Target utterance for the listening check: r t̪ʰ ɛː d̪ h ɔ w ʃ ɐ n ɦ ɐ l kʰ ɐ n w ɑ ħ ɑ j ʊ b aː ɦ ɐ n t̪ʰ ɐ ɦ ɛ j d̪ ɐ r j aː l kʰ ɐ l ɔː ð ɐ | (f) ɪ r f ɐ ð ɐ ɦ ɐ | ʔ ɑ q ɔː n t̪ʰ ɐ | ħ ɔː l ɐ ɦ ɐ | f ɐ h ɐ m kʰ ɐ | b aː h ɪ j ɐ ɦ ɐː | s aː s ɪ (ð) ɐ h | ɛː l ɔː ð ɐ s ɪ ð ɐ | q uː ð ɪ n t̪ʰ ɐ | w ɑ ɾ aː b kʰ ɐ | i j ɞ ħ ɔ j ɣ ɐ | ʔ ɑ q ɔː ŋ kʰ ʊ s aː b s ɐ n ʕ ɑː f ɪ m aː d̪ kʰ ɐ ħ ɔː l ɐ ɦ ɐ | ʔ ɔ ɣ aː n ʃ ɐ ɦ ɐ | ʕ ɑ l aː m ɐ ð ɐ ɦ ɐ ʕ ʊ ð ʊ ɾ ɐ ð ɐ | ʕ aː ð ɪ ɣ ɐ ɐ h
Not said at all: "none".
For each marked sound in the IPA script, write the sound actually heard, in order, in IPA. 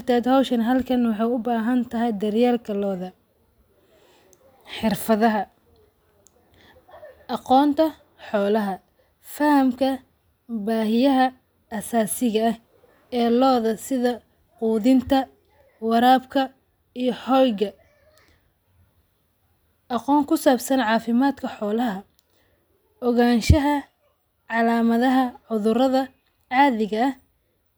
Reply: ħ, ɣ

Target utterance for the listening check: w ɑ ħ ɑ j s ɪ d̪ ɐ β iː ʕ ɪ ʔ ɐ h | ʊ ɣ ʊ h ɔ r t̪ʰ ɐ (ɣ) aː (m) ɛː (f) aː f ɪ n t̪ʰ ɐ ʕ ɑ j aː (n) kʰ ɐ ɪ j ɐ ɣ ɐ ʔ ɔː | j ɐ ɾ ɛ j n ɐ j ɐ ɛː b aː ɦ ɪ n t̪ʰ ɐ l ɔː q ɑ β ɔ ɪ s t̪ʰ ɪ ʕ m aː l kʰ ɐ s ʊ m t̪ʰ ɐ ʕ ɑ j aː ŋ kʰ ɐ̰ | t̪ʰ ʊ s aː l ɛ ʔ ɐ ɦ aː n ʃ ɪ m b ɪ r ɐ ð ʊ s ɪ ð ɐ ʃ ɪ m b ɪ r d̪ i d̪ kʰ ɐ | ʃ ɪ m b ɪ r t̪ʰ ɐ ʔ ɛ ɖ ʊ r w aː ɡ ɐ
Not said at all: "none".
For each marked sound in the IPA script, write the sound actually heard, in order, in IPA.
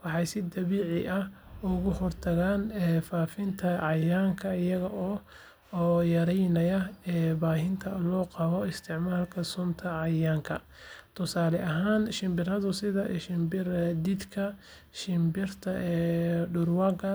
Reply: ɣ, n, f, ŋ

